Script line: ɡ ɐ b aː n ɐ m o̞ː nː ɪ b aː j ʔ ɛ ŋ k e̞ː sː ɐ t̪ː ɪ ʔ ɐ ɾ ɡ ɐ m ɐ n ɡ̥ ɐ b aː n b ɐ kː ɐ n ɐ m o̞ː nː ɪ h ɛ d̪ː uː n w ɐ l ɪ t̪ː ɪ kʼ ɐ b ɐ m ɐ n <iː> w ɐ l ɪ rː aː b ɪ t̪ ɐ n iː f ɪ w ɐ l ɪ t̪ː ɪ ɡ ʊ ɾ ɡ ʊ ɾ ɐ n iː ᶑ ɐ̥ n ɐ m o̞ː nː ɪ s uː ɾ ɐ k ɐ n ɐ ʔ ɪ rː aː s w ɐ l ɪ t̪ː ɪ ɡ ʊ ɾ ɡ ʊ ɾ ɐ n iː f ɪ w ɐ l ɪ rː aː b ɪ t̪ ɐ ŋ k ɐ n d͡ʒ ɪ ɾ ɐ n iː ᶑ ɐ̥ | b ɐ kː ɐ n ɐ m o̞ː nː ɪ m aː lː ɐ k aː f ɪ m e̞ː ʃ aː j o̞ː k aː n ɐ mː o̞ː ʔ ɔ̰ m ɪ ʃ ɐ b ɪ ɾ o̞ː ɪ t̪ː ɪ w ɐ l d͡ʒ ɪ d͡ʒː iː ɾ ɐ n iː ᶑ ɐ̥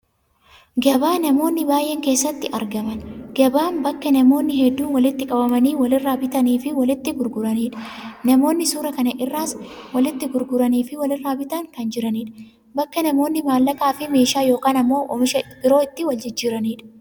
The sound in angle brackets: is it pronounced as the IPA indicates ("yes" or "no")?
yes